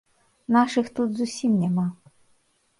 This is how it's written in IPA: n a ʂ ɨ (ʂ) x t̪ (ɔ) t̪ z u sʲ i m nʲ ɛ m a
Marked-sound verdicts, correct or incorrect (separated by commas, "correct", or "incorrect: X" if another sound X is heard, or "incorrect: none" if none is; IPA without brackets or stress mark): incorrect: none, incorrect: u